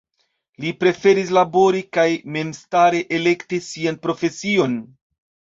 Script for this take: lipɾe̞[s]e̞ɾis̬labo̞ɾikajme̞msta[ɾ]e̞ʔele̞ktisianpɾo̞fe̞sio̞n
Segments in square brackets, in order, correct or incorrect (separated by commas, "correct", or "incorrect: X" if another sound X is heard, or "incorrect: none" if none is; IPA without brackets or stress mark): incorrect: f, correct